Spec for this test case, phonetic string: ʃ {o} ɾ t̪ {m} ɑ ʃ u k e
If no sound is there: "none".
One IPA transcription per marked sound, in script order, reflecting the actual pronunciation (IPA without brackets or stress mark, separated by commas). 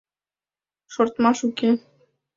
o, m